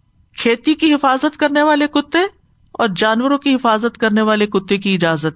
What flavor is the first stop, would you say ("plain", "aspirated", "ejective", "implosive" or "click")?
aspirated